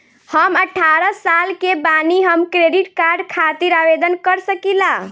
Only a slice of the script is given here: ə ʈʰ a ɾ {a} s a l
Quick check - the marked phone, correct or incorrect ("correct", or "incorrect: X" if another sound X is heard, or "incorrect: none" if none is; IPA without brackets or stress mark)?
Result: incorrect: ə